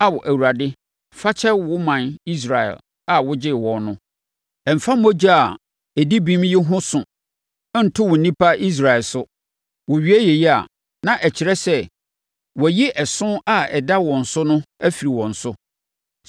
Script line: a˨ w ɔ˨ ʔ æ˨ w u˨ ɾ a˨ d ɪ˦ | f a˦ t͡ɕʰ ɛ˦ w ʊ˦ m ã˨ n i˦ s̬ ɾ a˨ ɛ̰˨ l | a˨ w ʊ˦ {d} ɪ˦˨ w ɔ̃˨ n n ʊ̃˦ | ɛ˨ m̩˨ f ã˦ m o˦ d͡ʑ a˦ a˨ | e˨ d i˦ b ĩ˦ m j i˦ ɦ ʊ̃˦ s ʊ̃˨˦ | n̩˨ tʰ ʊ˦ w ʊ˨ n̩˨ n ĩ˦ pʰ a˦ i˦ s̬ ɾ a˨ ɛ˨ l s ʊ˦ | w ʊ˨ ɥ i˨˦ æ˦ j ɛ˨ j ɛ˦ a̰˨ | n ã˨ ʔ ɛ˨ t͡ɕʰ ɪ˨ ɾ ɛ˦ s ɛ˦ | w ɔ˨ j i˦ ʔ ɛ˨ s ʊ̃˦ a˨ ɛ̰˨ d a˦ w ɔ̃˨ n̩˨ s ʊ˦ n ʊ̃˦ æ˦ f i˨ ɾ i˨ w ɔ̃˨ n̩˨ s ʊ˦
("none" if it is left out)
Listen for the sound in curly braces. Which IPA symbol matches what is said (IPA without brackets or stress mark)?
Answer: d͡ʑ